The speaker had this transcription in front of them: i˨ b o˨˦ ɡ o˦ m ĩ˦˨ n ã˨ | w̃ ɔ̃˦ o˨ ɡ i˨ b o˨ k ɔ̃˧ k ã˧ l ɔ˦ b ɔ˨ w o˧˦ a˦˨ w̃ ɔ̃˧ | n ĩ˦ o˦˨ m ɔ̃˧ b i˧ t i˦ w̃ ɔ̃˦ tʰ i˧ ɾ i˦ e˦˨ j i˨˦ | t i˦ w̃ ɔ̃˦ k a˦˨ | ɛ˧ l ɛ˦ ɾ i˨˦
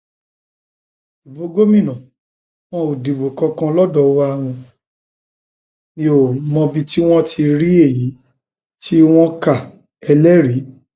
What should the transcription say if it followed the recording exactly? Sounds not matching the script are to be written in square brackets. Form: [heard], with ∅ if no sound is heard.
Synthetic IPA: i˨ b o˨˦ ɡ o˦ m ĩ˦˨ n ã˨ | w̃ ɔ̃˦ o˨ [d] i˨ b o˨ k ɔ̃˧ k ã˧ l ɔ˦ [d] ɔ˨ w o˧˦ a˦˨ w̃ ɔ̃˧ | n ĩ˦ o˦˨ m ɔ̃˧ b i˧ t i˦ w̃ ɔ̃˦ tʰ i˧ ɾ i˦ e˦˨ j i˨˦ | t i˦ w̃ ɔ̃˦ k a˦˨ | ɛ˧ l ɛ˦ ɾ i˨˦

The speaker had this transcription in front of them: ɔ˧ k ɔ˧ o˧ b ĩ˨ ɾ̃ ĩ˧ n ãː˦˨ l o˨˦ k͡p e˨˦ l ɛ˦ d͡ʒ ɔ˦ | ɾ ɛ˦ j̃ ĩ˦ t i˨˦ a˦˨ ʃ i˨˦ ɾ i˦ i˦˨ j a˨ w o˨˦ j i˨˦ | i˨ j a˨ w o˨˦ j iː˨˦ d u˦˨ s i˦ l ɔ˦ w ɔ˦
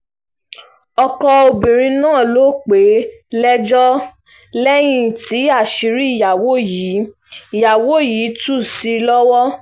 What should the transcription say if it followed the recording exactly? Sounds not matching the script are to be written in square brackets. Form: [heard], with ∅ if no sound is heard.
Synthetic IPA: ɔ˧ k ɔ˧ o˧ b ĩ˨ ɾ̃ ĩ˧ n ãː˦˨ l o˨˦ k͡p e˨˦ l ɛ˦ d͡ʒ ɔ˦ | [l] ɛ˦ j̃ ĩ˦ t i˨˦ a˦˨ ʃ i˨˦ ɾ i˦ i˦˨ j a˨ w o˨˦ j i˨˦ | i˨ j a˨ w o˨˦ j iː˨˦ [t] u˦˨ s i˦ l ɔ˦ w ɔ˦

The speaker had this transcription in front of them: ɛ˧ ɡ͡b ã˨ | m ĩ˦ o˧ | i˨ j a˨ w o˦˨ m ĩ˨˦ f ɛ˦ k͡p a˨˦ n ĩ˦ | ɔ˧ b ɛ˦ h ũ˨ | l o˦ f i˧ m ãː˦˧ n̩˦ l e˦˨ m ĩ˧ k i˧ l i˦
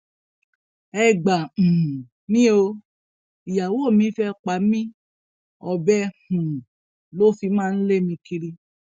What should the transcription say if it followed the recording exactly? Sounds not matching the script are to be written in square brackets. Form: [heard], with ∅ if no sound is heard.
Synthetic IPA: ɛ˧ ɡ͡b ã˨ | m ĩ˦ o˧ | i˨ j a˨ w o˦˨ m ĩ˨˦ f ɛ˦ k͡p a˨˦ [m] ĩ˦ | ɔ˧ b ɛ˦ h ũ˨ | l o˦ f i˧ m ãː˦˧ n̩˦ l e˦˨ m ĩ˧ k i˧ [ɾ] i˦

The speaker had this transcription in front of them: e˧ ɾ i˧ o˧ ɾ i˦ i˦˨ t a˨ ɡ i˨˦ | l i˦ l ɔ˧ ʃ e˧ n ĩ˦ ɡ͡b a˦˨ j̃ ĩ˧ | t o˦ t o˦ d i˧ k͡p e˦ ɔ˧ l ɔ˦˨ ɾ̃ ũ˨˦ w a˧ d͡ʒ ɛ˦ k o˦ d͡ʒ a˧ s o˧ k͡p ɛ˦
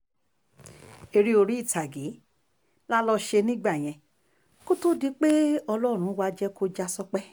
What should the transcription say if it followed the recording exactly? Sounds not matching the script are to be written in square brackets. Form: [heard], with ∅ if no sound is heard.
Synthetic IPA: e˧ ɾ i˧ o˧ ɾ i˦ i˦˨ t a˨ ɡ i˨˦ | l [a˦] l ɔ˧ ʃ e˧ n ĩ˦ ɡ͡b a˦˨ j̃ [ɛ̃˧] | [k] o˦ t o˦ d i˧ k͡p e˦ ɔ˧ l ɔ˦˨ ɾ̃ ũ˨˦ w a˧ d͡ʒ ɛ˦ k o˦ d͡ʒ a˧ s [ɔ˧] k͡p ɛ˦

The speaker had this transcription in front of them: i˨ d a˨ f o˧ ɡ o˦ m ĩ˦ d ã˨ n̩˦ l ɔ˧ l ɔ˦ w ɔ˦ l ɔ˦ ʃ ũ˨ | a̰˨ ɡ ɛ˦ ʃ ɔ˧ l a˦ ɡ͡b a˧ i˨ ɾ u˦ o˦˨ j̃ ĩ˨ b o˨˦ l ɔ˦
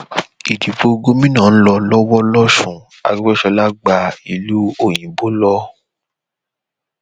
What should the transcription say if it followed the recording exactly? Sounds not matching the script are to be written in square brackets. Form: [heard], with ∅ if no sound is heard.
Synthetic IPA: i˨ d [i˨] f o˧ ɡ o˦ m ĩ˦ [n] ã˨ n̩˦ l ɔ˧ l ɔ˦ w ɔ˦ l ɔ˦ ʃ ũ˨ | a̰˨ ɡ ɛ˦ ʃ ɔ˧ l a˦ ɡ͡b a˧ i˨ [l] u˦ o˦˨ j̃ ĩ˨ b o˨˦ l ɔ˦

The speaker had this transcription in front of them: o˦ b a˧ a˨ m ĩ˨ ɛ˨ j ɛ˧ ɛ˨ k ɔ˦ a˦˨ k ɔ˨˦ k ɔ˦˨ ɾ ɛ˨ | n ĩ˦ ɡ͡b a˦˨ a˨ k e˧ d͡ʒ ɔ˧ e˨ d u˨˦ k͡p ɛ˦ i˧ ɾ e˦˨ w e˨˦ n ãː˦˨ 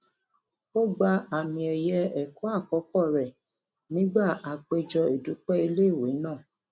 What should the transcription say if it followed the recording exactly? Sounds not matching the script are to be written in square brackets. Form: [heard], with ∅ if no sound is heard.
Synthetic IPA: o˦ [ɡ͡b] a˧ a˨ m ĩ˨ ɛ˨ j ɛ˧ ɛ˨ k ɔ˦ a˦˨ k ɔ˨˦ k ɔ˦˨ ɾ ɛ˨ | n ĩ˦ ɡ͡b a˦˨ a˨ [k͡p] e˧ d͡ʒ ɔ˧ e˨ d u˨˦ k͡p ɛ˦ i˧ [l] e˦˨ w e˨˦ n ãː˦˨

